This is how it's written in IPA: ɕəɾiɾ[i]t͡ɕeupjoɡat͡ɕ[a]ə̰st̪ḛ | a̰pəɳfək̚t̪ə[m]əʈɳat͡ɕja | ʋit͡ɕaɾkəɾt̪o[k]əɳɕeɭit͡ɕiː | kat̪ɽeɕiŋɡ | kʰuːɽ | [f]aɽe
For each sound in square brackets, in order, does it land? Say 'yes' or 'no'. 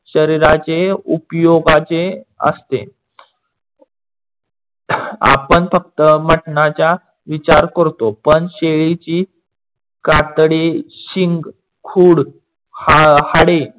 no, no, yes, no, no

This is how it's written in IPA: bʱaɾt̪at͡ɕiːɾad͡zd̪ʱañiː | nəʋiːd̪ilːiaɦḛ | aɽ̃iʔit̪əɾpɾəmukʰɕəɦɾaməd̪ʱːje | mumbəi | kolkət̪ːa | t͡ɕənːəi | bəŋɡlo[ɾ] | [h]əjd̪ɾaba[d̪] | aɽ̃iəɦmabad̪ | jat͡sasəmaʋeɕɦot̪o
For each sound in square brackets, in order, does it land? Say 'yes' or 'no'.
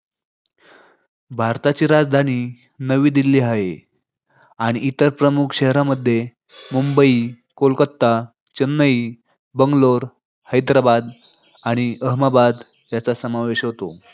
yes, yes, yes

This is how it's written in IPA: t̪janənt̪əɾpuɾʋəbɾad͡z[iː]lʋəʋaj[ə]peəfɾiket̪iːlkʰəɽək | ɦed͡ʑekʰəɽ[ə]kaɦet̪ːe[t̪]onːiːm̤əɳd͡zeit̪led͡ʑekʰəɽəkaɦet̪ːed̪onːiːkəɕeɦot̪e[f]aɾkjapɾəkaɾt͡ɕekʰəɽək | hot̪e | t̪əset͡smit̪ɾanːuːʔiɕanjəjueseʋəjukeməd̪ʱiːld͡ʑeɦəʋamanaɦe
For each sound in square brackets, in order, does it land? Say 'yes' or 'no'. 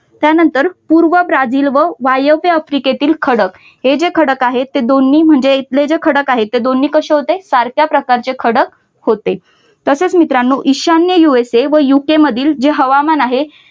yes, yes, yes, no, no

